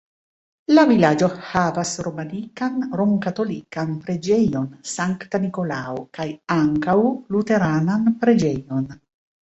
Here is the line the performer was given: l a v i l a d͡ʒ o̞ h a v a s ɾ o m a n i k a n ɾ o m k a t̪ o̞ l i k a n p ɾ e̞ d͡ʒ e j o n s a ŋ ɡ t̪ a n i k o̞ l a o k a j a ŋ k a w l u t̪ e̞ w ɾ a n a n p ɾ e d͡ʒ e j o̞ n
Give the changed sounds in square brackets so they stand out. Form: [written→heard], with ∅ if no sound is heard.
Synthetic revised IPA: l a v i l a d͡ʒ o̞ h a v a s ɾ o m a n i k a n ɾ o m k a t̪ o̞ l i k a n p ɾ e̞ d͡ʒ e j o n s a ŋ [ɡ→k] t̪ a n i k o̞ l a o k a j a ŋ k a w l u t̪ e̞ [w→∅] ɾ a n a n p ɾ e d͡ʒ e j o̞ n